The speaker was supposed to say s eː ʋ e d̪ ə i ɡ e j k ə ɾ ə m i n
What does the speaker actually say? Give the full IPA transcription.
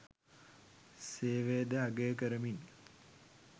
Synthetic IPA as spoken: s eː ʋ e d̪ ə a ɡ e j k ə ɾ ə m i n